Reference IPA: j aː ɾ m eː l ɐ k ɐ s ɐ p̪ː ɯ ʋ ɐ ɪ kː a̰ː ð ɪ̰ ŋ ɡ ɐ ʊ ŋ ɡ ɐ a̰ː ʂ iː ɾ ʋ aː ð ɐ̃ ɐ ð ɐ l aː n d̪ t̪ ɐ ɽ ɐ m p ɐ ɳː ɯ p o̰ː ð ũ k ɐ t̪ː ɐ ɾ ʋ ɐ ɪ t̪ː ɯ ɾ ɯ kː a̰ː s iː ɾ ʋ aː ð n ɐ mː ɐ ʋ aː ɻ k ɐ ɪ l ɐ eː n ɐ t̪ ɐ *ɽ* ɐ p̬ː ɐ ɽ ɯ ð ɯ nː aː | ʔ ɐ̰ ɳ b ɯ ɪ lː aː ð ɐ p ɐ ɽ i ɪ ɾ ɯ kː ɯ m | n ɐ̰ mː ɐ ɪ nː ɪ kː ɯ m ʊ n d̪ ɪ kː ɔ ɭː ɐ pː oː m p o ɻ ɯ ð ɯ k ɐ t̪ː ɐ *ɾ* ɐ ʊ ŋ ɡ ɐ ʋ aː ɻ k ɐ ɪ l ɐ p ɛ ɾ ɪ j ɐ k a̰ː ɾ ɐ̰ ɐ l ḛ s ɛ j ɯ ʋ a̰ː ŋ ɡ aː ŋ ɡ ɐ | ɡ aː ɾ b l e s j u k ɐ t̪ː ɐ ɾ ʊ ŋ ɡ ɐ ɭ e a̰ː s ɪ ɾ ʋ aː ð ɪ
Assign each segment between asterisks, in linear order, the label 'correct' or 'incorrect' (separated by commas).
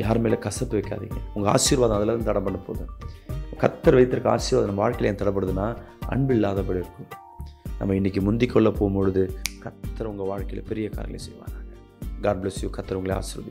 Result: correct, correct